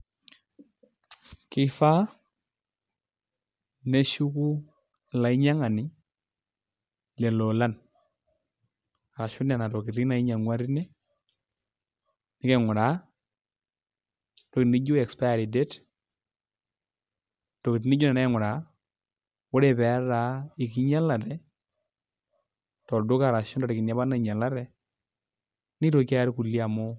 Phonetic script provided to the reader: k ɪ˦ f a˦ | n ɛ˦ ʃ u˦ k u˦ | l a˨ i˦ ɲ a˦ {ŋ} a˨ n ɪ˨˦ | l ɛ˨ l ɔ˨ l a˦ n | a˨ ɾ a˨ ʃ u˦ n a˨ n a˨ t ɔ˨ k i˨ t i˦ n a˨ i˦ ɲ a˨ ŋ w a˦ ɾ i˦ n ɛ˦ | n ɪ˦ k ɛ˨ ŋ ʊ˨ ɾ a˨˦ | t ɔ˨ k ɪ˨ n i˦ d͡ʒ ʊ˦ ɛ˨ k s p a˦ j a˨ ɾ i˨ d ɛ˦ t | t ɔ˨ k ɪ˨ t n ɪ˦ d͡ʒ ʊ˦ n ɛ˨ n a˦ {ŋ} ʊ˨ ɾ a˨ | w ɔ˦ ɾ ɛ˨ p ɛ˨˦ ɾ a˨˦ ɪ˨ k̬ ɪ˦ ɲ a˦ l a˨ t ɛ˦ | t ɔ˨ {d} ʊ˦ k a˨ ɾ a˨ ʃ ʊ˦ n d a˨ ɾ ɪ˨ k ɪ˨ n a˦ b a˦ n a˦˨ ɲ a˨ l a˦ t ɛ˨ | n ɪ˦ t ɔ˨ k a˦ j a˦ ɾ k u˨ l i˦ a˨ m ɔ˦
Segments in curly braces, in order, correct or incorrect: correct, correct, correct

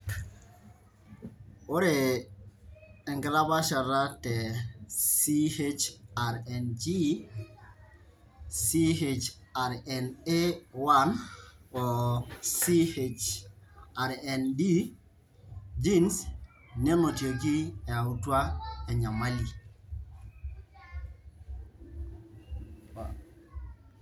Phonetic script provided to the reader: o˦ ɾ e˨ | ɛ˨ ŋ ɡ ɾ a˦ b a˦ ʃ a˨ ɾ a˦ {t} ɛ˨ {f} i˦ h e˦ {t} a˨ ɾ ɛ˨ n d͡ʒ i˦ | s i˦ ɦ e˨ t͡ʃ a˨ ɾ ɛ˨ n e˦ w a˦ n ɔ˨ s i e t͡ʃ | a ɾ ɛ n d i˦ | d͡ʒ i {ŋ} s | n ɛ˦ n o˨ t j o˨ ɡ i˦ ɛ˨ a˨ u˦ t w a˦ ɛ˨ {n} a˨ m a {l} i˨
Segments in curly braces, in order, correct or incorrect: correct, incorrect: s, incorrect: t͡ʃ, incorrect: n, incorrect: ɲ, correct

